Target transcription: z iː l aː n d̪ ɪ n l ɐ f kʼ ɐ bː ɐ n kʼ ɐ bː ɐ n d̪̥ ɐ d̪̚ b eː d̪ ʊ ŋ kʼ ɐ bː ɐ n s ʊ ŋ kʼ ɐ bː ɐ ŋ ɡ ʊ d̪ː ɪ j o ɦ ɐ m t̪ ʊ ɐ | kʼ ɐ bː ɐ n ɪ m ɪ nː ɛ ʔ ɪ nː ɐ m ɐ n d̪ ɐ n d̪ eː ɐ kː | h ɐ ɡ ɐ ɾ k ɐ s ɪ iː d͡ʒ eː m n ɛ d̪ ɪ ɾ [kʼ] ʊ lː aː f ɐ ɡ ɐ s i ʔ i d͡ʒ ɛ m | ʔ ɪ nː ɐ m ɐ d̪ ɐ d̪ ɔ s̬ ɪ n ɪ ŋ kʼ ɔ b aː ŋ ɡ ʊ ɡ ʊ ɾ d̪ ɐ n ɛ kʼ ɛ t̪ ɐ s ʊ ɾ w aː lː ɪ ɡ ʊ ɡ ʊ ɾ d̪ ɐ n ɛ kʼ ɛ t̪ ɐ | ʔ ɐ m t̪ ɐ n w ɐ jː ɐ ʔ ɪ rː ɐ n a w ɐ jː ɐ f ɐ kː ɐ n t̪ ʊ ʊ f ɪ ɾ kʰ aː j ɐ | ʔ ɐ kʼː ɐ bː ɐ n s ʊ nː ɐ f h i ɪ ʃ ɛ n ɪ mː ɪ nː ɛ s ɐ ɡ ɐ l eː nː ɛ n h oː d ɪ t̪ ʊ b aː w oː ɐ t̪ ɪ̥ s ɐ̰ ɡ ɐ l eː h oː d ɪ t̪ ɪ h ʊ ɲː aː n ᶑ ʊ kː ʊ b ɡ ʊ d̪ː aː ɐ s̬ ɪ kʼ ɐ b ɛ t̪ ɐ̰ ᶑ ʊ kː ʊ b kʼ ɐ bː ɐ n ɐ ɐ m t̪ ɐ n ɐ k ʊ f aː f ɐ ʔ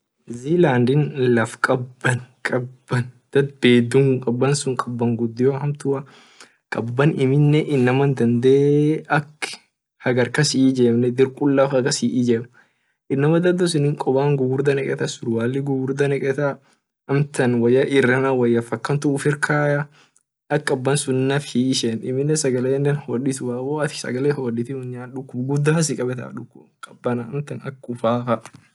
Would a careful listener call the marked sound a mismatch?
no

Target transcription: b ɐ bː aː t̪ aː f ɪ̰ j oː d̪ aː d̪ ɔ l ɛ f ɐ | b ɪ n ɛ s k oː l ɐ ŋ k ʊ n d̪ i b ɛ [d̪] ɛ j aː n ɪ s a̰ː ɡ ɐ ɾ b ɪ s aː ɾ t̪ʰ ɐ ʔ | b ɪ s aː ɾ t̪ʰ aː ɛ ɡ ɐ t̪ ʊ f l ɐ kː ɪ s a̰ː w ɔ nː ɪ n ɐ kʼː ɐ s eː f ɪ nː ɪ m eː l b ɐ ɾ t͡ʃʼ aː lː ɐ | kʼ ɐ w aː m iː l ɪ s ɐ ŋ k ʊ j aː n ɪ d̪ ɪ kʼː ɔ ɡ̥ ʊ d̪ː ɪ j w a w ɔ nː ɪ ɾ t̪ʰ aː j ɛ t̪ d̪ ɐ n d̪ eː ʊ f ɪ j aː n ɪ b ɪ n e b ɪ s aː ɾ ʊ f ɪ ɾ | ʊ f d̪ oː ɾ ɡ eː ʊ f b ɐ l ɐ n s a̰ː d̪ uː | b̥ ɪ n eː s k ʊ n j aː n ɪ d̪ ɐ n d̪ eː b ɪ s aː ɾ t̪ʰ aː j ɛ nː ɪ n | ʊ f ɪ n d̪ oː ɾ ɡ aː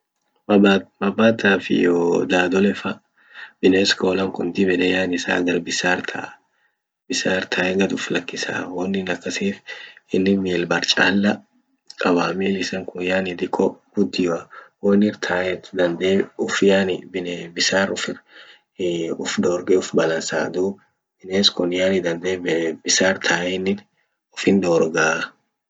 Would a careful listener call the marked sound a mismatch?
no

